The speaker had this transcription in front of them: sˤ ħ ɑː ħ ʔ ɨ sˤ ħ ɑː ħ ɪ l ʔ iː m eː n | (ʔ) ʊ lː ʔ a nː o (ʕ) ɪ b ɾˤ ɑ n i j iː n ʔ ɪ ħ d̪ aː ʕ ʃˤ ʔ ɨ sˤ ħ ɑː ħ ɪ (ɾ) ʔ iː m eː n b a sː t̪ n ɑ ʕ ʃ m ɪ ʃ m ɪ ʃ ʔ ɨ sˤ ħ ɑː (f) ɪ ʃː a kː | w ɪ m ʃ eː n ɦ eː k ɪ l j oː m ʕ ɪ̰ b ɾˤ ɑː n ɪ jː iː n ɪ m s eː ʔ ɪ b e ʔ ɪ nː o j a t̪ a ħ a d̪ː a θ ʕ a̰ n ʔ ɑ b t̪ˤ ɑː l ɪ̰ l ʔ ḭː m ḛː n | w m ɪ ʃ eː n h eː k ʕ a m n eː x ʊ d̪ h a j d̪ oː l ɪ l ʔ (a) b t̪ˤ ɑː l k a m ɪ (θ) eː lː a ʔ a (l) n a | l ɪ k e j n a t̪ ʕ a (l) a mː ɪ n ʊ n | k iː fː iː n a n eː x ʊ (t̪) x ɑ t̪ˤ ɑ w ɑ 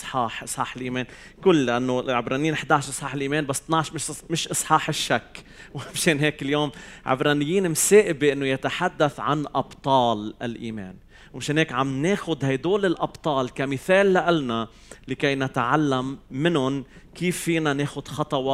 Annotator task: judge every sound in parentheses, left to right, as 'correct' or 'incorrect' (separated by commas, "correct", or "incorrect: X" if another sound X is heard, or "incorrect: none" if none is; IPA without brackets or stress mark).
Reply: incorrect: k, correct, incorrect: l, incorrect: ħ, incorrect: ɑ, correct, correct, incorrect: lː, incorrect: d̪